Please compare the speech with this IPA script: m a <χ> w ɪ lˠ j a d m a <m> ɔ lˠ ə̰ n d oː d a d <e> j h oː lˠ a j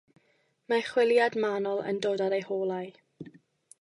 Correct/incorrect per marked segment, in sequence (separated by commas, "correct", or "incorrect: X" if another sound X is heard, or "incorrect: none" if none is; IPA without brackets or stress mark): correct, incorrect: n, correct